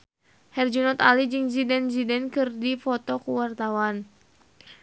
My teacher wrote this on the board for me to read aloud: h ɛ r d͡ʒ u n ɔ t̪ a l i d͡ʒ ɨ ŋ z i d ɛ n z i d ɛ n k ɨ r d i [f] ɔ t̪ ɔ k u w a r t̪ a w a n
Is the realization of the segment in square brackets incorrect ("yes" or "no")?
no